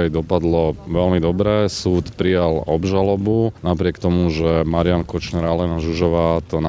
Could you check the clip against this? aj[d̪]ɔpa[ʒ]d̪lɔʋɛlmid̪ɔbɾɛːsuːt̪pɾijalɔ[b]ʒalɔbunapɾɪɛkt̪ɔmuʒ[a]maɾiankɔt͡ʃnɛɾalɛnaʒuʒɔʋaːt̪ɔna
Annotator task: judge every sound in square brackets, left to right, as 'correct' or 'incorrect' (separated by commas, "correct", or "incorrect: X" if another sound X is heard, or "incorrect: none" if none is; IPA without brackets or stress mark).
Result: correct, incorrect: none, correct, incorrect: ɛ